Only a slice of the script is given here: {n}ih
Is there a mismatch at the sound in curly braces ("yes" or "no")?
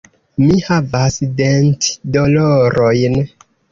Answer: yes